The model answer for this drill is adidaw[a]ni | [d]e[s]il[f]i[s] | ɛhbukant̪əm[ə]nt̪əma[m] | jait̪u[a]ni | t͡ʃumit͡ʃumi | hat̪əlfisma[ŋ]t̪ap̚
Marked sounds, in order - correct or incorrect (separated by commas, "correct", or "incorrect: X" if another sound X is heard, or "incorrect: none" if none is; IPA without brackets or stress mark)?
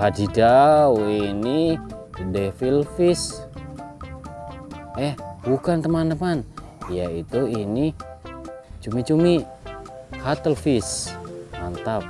incorrect: i, correct, incorrect: f, correct, correct, incorrect: a, incorrect: n, incorrect: i, incorrect: n